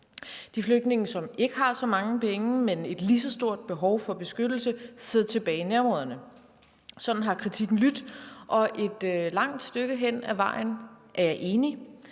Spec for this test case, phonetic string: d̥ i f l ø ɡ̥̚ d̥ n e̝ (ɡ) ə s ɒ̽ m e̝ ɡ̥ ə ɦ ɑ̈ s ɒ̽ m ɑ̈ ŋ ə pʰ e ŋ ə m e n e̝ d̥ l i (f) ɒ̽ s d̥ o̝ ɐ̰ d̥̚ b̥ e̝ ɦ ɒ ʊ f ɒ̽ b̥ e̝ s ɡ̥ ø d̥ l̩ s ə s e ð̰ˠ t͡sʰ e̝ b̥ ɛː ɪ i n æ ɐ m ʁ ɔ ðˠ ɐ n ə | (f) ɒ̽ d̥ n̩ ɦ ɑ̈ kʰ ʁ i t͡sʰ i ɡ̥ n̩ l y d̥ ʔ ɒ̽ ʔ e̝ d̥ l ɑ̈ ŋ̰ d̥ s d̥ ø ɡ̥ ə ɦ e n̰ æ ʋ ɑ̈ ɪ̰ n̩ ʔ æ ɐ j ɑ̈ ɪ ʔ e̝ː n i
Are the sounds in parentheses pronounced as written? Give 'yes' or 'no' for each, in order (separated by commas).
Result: no, no, no